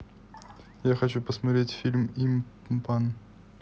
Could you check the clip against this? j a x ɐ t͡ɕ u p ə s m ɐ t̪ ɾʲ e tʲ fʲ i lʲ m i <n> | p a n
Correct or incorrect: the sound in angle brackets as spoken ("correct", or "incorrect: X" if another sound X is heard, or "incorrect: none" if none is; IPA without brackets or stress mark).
incorrect: m